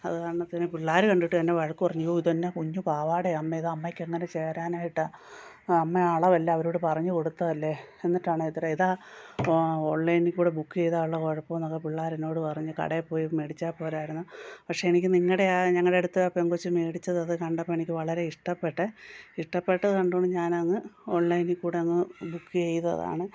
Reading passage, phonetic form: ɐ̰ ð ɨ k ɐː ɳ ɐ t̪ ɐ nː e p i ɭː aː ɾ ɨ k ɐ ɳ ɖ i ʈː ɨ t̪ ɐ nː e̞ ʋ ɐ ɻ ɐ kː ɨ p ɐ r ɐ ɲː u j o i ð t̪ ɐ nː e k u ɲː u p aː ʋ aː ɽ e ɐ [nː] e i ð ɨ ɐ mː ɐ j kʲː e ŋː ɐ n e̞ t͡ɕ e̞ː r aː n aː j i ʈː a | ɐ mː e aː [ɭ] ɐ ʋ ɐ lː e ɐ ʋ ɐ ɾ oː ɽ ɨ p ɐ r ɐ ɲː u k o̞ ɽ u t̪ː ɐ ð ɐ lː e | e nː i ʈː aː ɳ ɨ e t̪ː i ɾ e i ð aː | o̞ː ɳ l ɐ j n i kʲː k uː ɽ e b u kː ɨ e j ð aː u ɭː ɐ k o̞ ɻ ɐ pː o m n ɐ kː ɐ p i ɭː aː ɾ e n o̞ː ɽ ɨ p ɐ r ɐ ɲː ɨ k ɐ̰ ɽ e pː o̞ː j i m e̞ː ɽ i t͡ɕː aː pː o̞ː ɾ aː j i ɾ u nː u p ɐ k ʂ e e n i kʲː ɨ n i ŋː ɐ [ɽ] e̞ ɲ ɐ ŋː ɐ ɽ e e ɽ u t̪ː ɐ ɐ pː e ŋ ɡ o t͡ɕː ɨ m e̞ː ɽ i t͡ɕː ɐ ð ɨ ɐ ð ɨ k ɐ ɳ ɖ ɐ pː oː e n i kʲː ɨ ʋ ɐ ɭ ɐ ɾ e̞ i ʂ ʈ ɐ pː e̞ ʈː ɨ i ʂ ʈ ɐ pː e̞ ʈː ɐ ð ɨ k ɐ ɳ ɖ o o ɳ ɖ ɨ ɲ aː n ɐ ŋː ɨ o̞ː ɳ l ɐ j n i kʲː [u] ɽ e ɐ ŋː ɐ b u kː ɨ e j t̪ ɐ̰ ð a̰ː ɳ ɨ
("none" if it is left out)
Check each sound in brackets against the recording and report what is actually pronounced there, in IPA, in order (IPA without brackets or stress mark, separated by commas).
mː, ɭ, ɽ, uː